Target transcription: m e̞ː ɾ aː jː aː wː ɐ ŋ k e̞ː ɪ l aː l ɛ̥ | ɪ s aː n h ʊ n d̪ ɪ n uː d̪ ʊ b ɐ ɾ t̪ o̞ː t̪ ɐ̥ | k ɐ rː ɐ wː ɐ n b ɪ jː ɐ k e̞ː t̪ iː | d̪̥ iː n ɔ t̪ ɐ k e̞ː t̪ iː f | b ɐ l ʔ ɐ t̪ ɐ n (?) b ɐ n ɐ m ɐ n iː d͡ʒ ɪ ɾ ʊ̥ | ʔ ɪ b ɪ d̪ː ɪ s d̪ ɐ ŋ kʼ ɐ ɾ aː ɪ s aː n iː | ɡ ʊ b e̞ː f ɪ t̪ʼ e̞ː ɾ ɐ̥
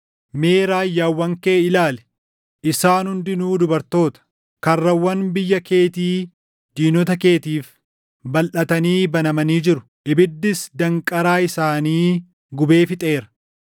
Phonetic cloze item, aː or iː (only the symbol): iː